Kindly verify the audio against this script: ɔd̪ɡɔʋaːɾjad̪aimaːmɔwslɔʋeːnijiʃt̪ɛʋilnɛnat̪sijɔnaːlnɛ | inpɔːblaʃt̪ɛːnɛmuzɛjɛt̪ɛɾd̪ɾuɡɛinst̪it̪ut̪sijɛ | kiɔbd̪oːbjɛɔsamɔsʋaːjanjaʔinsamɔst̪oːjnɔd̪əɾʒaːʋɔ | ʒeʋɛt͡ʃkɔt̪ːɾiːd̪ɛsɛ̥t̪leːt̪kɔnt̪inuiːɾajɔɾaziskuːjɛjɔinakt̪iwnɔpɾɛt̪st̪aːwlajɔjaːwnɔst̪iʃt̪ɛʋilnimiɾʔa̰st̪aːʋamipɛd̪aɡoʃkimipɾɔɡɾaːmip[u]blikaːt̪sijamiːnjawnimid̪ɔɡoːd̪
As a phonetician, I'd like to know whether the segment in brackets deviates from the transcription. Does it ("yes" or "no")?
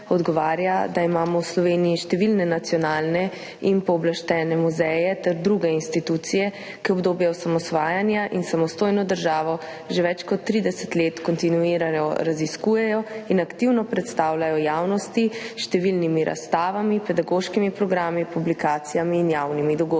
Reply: no